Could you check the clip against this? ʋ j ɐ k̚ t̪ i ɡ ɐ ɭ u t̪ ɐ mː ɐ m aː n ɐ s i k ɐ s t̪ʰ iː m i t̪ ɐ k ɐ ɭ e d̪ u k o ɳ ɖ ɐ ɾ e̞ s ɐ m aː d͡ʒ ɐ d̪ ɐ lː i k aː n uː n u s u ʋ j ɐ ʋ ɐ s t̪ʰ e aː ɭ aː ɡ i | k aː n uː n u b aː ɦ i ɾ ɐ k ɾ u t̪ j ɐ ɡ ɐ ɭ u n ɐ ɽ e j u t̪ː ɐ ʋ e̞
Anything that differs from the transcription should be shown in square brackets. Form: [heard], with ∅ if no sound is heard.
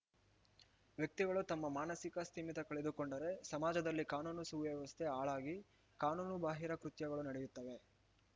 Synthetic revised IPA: ʋ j ɐ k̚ t̪ i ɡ ɐ ɭ u t̪ ɐ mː ɐ m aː n ɐ s i k ɐ s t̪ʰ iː m i t̪ ɐ k ɐ ɭ e d̪ u k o ɳ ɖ ɐ ɾ e̞ s ɐ m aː d͡ʒ ɐ d̪ ɐ lː i k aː n uː n u s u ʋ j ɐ ʋ ɐ s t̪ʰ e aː ɭ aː ɡ i | k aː n uː n u b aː ɦ i ɾ ɐ k ɾ u t̪ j ɐ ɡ ɐ ɭ u n ɐ ɽ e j u t̪ː ɐ ʋ e̞